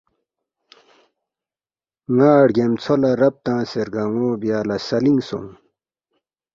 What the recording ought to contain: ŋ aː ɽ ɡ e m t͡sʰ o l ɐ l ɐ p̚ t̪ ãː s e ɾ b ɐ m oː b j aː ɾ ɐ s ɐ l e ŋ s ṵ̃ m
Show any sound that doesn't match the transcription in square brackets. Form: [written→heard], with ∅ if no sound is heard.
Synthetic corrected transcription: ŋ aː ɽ ɡ e m t͡sʰ o l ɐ [l→ɾ] ɐ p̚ t̪ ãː s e ɾ [b→ɡ] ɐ [m→ŋ] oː b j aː [ɾ→l] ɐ s ɐ l [e→i] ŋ s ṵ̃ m

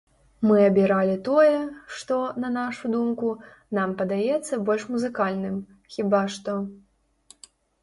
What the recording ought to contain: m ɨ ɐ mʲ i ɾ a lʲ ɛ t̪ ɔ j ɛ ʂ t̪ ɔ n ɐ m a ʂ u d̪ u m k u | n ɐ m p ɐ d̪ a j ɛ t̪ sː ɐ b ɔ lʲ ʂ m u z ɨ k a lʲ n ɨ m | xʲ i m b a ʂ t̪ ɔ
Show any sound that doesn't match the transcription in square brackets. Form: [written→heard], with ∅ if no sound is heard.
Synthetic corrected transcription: m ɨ ɐ [mʲ→bʲ] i ɾ a lʲ [ɛ→i] t̪ ɔ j ɛ ʂ t̪ ɔ n ɐ [m→n] a ʂ u d̪ u m k u | n [ɐ→a] m p ɐ d̪ a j ɛ t̪ sː ɐ b ɔ lʲ ʂ m u z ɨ k a lʲ n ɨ m | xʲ i [m→∅] b a ʂ t̪ ɔ

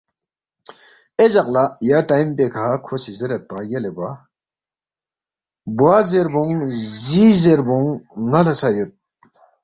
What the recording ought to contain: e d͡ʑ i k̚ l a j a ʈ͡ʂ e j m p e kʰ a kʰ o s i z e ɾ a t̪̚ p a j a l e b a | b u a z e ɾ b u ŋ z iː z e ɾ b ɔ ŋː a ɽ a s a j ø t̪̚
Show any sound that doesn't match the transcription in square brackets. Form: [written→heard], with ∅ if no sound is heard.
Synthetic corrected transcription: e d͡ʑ [i→a] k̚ l a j a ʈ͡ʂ [e→a] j m p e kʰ a kʰ o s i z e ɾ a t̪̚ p a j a l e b a | b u a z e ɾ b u ŋ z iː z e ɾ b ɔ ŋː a [ɽ→l] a s a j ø t̪̚

